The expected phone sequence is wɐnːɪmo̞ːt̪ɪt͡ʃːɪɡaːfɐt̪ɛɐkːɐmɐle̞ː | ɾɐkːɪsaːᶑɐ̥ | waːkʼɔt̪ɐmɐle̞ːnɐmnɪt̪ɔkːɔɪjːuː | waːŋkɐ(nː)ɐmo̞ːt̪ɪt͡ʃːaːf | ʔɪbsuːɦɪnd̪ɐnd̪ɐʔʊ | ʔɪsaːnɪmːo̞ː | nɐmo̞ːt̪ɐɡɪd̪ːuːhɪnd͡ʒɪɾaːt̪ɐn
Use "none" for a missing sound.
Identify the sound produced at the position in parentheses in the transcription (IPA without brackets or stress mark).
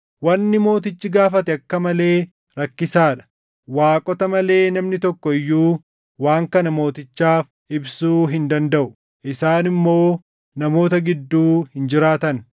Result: n